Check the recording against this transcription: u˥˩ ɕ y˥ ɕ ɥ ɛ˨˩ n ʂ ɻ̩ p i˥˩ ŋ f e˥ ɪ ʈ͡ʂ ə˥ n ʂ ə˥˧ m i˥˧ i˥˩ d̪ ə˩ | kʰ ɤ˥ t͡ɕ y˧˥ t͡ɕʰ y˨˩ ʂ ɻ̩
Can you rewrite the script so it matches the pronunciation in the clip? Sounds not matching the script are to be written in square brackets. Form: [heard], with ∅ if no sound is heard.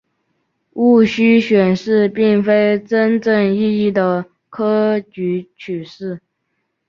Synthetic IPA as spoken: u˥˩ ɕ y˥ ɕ ɥ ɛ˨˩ n ʂ ɻ̩ p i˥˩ ŋ f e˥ ɪ ʈ͡ʂ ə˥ n [ʈ͡ʂ] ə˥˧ [ŋ] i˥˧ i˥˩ d̪ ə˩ | kʰ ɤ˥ t͡ɕ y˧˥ t͡ɕʰ y˨˩ ʂ ɻ̩